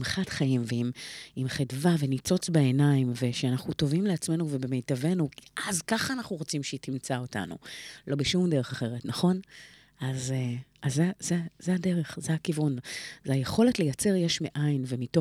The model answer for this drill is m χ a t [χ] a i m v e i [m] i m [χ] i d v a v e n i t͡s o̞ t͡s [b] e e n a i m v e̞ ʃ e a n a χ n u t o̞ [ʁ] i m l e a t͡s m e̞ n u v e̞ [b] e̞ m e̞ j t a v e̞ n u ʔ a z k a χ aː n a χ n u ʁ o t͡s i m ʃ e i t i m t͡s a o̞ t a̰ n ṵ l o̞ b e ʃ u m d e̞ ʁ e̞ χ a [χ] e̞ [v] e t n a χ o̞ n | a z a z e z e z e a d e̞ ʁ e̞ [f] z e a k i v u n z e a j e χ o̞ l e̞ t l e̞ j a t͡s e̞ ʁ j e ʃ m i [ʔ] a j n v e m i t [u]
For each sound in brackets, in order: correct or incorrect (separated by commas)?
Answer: correct, correct, correct, correct, incorrect, correct, correct, incorrect, incorrect, correct, incorrect